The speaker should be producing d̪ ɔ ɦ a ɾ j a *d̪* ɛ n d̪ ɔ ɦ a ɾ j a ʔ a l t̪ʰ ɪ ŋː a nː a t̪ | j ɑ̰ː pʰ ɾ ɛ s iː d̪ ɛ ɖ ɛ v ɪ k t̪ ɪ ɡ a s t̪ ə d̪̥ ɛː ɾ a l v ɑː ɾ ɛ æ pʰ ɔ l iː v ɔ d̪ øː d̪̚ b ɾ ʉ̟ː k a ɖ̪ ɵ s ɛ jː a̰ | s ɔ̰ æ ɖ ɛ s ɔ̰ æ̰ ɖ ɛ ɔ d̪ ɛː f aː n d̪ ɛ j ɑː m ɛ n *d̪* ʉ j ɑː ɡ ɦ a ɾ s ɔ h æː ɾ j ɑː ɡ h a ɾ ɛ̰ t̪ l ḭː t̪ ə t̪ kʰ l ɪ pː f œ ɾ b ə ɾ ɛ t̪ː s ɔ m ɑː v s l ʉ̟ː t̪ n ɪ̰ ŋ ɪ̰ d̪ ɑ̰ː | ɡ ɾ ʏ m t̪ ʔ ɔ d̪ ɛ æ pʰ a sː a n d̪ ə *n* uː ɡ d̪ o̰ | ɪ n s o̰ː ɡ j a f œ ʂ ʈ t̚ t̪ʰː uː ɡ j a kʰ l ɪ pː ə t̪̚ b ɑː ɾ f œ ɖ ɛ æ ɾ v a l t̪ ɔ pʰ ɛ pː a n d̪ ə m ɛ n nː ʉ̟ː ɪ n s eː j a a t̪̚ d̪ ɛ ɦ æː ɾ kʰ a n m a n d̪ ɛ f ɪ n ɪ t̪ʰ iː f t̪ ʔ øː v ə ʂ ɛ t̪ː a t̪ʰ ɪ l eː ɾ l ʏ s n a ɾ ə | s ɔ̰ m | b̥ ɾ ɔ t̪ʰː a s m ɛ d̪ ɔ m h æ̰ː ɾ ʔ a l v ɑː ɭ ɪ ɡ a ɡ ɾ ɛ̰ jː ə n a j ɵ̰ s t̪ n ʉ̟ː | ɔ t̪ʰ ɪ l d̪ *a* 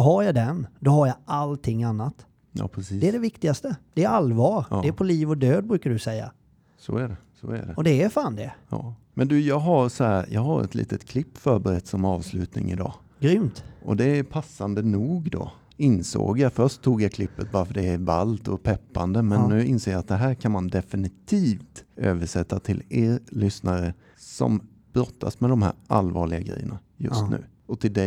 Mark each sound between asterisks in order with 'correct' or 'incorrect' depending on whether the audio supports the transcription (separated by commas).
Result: correct, correct, correct, incorrect